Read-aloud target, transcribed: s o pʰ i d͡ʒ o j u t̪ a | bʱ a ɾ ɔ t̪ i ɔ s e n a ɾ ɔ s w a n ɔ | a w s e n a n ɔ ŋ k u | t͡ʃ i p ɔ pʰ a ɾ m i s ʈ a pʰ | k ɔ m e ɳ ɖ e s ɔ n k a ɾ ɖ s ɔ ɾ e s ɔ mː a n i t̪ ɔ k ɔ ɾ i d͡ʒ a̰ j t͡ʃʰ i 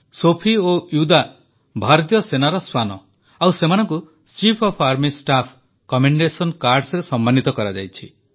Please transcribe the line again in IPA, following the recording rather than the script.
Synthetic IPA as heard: s o pʰ i o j u d̪ a | bʱ a ɾ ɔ t̪ j ɔ s e n a ɾ ɔ s w a n ɔ | a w s e m a n ɔ ŋ k u | t͡ʃ i pʰ ɔ pʰ a ɾ m i s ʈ a pʰ | k ɔ m e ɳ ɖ e s ɔ n k a ɾ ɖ s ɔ ɾ e s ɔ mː a n i t̪ ɔ k ɔ ɾ a d͡ʒ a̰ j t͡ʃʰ i